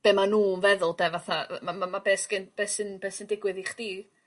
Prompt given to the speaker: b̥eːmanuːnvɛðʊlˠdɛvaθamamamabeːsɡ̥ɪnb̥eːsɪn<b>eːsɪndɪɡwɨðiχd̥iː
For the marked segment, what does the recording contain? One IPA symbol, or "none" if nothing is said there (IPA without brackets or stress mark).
b